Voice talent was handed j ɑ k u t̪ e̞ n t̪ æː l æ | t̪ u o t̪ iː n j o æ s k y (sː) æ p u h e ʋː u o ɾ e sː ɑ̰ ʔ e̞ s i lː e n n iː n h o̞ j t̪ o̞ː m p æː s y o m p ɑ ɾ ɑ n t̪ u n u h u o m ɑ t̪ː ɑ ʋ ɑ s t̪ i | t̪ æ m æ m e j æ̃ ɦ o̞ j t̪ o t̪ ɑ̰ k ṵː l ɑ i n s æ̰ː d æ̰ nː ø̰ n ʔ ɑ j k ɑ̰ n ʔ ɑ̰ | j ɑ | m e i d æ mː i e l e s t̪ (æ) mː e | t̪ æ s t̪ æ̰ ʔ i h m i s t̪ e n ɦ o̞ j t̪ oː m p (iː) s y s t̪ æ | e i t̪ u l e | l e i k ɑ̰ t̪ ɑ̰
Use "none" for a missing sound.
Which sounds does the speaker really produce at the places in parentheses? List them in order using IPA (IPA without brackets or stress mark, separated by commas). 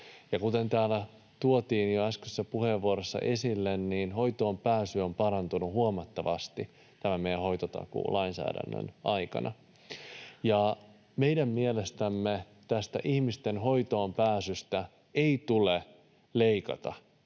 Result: sː, æ, æː